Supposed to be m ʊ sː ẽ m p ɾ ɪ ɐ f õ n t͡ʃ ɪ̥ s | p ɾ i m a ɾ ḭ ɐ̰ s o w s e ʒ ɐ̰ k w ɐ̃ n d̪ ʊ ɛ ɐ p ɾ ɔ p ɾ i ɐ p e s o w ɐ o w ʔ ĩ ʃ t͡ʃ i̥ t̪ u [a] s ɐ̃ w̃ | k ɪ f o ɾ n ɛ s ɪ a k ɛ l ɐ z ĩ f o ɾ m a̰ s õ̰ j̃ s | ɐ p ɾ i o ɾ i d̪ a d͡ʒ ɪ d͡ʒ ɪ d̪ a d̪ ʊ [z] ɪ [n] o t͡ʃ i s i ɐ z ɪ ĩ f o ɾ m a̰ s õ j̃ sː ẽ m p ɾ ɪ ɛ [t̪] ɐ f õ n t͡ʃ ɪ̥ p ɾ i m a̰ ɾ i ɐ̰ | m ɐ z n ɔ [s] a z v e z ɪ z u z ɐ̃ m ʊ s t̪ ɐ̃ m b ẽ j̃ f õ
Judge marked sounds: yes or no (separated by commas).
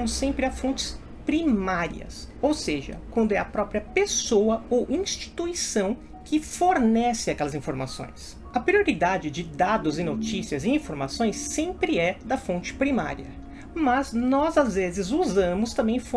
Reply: no, yes, yes, no, no